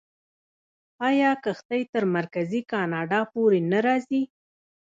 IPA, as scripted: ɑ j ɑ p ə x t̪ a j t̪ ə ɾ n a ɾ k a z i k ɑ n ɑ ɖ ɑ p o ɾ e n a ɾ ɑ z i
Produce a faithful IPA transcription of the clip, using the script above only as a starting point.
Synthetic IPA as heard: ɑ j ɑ k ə x t̪ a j t̪ ə ɾ m a ɾ k a z i k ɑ n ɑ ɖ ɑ p o ɾ e n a ɾ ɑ z i

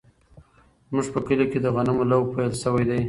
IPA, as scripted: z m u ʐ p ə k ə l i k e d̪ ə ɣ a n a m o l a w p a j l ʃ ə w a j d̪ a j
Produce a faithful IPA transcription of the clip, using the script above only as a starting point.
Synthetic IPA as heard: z m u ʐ p ə k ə l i k e d̪ ə ɣ a n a m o l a w p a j l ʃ ə w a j d̪ a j

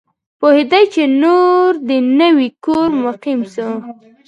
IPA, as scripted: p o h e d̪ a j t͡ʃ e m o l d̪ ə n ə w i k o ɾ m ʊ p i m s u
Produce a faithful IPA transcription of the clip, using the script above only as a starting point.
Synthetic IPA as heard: p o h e d̪ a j t͡ʃ e n o ɾ d̪ ə n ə w i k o ɾ m ʊ q i m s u

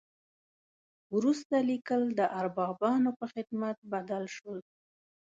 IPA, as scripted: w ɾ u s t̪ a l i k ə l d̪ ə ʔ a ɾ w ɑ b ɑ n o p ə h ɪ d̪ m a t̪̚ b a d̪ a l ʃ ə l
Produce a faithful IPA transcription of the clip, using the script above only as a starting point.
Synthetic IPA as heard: w ɾ u s t̪ a l i k ə l d̪ ə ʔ a ɾ b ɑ b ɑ n o p ə x ɪ d̪ m a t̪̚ b a d̪ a l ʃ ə l

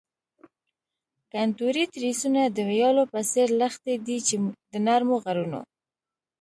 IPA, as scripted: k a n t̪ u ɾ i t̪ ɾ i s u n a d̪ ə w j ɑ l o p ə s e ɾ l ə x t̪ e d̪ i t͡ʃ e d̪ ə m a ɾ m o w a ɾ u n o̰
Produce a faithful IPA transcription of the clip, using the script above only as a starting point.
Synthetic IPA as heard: k a n t̪ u ɾ i t̪ ɾ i s u n a d̪ ə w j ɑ l o p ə s e ɾ l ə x t̪ e d̪ i t͡ʃ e d̪ ə n a ɾ m o ɣ a ɾ u n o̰

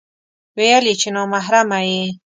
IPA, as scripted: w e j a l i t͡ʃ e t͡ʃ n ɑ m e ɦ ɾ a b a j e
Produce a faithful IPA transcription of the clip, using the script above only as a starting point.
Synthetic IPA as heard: w e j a l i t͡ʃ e n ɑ m a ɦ ɾ a m a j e

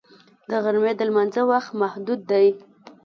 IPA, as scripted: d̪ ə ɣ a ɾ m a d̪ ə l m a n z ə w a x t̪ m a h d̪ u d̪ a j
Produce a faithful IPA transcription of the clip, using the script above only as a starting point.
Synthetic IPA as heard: d̪ ə ɣ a ɾ m e d̪ ə l m a n z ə w a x t̪ m a h d̪ u d̪ː a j

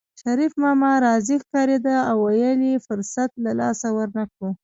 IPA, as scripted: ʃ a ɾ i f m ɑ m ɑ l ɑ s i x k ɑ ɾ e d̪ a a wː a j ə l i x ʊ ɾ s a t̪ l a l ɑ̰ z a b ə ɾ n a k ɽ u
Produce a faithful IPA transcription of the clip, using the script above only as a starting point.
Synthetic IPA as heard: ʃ a ɾ i f m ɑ m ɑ ɾ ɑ z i x k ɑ ɾ e d̪ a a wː a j ə l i f ʊ ɾ s a t̪ l a l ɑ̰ s a w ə ɾ n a k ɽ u

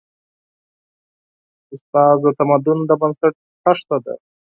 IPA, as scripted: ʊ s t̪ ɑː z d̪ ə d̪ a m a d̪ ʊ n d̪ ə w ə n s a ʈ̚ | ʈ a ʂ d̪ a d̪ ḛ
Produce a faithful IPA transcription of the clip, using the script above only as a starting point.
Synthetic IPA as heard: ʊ s t̪ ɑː z d̪ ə t̪ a m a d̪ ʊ n d̪ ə b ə n s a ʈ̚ | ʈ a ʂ t̪ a d̪ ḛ

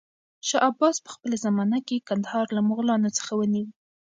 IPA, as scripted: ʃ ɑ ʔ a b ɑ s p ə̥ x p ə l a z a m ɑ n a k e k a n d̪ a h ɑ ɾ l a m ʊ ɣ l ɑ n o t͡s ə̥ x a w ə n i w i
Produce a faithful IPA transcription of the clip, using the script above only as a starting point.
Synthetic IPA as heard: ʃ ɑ ʔ a b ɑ s p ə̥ x p ə l a z a m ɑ n a k e k a n d̪ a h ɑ ɾ l a m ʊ ɣ l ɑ n o t͡s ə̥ x a w ə n i w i

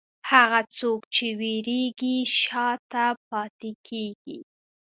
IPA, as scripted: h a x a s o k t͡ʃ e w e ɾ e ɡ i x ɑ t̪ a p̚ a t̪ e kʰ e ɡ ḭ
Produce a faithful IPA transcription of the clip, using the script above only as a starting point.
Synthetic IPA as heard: h a ɣ a t͡s o k t͡ʃ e w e ɾ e ɡ i ʃ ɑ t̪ a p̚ ɑ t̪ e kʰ e ɡ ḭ

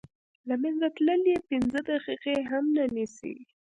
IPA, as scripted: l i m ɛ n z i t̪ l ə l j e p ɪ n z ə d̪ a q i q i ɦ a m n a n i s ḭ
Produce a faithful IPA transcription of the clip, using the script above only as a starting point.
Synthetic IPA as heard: l a m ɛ n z a t̪ l ə l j e p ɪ n z ə d̪ a q i q e ɦ a m n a n i s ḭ

